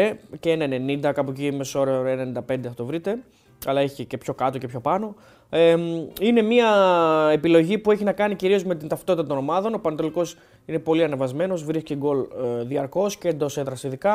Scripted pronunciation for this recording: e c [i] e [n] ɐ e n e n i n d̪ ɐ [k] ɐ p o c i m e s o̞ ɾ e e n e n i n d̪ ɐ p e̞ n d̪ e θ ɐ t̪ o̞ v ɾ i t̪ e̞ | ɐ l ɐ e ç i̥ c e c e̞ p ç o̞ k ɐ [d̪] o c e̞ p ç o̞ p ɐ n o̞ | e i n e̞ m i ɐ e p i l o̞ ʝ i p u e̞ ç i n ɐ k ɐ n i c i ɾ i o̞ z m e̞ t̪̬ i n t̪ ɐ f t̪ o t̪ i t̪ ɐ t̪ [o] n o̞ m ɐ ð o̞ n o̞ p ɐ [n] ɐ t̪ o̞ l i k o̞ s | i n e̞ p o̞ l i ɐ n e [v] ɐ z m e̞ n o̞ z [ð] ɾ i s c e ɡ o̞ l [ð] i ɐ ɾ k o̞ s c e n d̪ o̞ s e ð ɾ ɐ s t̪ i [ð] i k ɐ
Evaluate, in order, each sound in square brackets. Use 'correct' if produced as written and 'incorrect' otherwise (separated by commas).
incorrect, correct, correct, incorrect, correct, correct, correct, incorrect, correct, correct